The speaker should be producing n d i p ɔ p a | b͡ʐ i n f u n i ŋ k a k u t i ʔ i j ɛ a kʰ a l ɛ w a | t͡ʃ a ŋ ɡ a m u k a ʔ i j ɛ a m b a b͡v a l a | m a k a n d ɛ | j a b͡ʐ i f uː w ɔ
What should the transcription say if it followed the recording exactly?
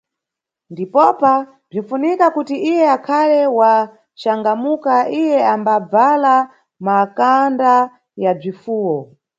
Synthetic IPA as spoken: n d i p ɔ p a | b͡ʐ i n f u n i k a k u t i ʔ i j ɛ a kʰ a l ɛ w a | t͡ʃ a ŋ ɡ a m u k a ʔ i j ɛ a m b a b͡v a l a | m a k a n d a | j a b͡ʐ i f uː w ɔ